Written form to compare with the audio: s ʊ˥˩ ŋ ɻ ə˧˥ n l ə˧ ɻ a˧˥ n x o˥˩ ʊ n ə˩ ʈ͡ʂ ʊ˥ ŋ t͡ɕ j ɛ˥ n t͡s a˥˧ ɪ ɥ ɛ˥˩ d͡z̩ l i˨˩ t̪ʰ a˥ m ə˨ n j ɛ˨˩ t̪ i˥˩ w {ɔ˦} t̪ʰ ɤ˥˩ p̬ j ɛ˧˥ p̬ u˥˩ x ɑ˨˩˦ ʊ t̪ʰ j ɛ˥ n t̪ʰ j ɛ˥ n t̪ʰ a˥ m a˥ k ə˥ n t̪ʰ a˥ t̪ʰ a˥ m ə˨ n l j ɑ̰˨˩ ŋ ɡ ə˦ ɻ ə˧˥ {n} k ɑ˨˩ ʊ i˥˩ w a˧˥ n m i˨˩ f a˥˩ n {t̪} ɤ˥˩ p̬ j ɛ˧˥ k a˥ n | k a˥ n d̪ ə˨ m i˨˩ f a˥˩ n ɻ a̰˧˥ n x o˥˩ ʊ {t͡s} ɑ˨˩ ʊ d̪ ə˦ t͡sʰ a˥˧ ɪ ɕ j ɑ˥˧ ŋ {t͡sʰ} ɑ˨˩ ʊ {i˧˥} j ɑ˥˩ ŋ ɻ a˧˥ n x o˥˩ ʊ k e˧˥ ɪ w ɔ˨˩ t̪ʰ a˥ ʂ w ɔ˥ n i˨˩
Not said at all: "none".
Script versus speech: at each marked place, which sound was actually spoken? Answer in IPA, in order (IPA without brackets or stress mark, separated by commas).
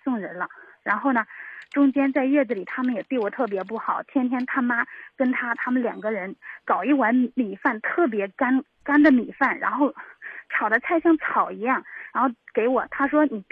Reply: ɔ˨˩, n, t̪ʰ, t͡sʰ, t͡sʰ, i˧˥